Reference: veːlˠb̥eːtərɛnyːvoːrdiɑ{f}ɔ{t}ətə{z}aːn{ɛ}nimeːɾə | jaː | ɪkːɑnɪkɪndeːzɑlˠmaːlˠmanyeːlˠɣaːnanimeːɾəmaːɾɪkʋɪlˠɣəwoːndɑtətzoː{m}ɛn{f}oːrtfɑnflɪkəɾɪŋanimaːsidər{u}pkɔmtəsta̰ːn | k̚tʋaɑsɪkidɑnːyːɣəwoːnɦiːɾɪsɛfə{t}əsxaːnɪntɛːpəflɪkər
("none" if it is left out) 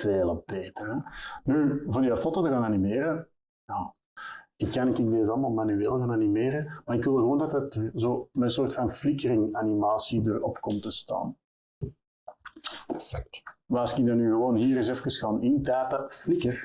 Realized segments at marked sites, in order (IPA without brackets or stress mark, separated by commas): f, t, ɣ, a, m, s, ɔ, k